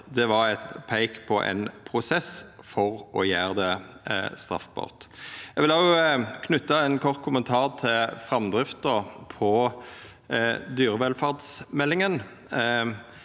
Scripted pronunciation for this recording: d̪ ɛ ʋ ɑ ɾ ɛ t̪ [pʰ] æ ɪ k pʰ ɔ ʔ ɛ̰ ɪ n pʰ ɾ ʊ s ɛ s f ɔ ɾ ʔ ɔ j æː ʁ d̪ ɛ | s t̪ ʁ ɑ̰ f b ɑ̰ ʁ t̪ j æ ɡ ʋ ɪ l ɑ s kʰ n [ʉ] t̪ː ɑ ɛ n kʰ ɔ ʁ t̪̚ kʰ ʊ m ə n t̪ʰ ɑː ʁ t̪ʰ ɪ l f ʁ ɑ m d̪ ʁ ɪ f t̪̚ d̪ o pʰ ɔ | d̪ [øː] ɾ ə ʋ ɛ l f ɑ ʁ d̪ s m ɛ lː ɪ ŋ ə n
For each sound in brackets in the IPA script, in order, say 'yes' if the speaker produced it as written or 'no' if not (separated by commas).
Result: yes, yes, no